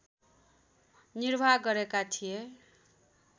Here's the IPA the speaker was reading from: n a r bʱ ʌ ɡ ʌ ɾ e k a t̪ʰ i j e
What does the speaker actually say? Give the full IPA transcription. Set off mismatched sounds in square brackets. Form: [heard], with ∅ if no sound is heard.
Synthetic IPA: n [i] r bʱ [a] ɡ ʌ ɾ e k a t̪ʰ i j e